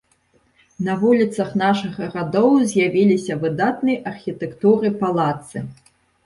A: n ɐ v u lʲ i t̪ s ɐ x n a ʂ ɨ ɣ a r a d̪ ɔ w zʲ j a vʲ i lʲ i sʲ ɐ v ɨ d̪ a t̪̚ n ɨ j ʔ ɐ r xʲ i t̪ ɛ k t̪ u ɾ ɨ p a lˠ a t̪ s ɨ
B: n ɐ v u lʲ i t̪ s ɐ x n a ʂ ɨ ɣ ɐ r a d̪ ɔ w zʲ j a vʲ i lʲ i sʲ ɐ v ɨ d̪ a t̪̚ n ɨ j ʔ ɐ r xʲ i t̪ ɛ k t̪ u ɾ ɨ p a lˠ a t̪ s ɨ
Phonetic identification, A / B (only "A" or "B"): B